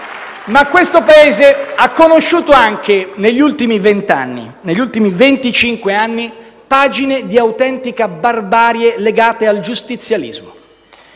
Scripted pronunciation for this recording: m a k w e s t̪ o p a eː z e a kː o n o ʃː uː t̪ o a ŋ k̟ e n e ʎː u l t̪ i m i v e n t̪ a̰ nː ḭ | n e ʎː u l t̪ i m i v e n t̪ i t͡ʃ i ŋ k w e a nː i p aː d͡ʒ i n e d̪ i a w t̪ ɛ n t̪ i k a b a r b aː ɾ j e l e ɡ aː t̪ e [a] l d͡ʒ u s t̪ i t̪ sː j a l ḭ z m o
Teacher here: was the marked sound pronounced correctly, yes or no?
yes